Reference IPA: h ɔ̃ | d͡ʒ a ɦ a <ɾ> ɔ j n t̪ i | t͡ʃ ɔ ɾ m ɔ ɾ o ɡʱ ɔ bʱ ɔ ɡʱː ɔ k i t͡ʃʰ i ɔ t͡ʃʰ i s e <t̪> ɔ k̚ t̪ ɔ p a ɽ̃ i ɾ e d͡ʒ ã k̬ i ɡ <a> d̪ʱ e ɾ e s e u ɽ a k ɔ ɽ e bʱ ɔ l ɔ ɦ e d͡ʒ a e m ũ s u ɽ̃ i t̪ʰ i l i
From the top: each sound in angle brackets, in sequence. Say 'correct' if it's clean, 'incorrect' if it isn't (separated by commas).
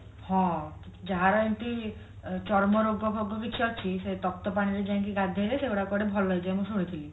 correct, correct, correct